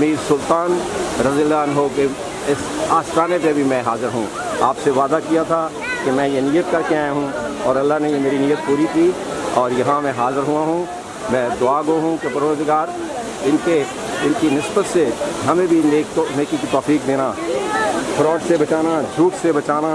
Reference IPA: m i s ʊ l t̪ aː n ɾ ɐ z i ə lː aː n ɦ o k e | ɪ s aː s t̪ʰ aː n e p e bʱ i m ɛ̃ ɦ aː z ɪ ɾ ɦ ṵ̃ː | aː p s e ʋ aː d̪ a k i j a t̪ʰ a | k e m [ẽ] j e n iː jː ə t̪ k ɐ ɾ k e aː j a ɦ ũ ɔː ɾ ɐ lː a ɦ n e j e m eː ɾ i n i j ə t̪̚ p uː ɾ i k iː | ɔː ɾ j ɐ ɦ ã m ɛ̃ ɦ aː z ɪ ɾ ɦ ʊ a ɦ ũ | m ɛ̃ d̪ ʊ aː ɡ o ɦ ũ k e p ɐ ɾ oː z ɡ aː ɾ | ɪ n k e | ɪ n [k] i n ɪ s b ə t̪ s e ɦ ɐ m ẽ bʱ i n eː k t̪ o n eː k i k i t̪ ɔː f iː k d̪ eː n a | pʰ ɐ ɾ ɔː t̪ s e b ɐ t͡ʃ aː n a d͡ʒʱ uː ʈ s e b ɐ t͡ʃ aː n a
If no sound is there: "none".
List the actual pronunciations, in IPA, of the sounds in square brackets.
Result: ɛ̃, k

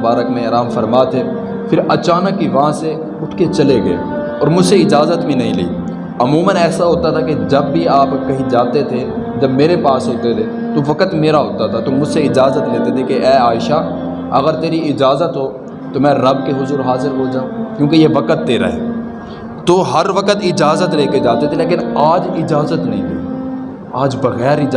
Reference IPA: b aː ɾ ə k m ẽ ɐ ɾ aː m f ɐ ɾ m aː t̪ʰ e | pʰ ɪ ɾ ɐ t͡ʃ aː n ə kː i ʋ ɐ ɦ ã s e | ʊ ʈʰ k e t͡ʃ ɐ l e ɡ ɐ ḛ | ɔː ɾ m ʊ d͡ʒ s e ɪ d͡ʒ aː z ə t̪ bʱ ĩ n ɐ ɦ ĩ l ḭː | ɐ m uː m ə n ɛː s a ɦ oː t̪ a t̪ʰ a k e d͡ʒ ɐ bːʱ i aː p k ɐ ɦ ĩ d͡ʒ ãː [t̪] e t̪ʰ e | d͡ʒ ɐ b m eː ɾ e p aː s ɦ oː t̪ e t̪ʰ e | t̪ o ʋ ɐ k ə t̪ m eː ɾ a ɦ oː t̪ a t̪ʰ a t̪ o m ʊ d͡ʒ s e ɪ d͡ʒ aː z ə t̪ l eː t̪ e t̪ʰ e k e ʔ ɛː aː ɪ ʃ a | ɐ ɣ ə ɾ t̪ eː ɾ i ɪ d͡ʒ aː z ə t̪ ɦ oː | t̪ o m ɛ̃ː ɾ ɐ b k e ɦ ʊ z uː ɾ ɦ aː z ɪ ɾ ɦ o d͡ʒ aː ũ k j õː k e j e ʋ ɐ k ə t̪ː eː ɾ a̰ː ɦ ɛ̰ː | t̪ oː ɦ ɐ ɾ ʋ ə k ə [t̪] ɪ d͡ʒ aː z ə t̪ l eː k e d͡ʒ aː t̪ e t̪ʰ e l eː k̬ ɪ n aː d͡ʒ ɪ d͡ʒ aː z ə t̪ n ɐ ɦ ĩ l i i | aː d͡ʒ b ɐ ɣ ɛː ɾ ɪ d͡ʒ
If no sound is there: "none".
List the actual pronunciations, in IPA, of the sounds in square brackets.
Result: t̪, t̪

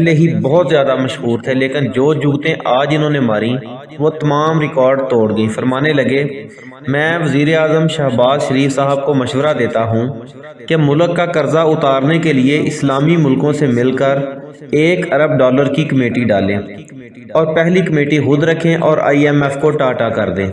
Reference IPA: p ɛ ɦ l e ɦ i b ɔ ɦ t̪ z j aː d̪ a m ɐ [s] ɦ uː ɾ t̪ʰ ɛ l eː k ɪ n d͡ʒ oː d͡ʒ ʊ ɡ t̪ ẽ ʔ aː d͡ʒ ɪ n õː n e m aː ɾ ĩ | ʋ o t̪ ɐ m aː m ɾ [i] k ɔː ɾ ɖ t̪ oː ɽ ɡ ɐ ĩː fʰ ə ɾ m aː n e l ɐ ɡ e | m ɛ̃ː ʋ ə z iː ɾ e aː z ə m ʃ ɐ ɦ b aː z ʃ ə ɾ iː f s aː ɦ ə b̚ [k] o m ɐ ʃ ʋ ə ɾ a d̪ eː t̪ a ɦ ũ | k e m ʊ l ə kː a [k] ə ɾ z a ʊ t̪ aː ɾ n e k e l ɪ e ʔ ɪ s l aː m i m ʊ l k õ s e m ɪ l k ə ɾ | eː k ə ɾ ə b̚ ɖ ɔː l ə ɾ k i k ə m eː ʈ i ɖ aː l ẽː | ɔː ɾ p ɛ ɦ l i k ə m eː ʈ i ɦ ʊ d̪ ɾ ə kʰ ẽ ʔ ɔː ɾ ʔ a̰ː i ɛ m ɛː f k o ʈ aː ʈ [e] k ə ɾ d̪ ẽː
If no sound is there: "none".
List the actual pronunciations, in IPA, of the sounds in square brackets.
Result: ʃ, ɪ, k, k, a

